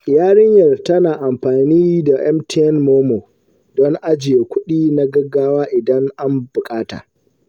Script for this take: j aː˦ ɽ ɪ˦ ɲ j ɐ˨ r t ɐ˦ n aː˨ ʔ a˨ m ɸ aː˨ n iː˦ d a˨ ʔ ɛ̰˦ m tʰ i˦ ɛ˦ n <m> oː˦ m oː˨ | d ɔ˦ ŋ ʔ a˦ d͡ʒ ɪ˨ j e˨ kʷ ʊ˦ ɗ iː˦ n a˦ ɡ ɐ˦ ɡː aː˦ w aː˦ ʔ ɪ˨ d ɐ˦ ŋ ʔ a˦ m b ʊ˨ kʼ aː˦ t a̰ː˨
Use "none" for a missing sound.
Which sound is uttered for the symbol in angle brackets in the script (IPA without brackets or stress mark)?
m